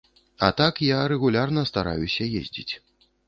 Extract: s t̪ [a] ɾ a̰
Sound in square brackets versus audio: correct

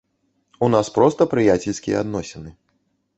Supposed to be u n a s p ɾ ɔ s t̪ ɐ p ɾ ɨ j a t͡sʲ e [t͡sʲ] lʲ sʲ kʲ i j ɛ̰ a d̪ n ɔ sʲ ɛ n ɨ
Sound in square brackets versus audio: incorrect: none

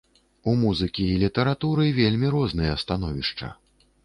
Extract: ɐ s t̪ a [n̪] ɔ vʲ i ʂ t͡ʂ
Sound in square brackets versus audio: correct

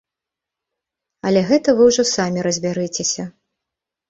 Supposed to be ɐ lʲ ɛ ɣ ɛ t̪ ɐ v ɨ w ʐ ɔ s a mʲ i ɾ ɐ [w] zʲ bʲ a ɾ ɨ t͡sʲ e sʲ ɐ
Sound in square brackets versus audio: incorrect: none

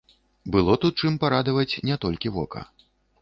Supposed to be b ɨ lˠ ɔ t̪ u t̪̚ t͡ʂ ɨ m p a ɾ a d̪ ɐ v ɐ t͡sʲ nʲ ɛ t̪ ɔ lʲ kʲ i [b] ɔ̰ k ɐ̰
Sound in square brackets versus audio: incorrect: v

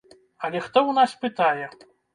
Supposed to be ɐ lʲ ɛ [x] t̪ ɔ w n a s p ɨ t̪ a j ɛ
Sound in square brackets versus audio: correct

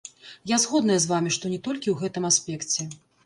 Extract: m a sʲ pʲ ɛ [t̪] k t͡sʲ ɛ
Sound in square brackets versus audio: incorrect: none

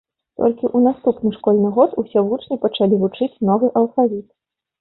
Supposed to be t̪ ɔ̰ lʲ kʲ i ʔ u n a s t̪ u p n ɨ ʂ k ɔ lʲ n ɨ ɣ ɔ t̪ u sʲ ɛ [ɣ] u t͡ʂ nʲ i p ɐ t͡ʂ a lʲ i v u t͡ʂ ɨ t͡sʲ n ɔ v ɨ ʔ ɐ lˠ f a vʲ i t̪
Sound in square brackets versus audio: incorrect: v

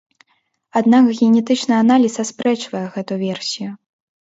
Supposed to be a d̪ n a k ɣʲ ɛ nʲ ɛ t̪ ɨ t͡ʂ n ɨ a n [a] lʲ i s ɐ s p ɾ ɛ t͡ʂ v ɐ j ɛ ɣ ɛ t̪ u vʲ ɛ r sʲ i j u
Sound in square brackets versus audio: correct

